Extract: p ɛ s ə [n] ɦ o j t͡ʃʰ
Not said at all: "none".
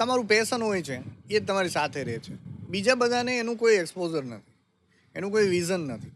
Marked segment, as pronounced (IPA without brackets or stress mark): n